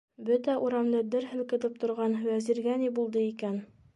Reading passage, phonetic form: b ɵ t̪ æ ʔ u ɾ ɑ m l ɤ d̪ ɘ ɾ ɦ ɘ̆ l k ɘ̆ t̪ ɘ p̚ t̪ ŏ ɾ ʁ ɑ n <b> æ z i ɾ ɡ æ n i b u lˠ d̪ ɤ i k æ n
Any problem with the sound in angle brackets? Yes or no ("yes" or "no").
yes